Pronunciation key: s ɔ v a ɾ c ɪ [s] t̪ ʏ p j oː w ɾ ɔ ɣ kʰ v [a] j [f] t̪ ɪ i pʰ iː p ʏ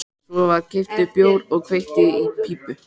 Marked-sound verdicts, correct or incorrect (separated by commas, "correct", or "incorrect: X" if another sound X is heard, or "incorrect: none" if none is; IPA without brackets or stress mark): incorrect: f, incorrect: e, incorrect: h